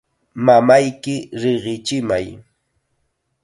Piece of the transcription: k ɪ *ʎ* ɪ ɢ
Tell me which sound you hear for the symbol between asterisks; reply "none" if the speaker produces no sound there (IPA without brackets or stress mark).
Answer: ɾ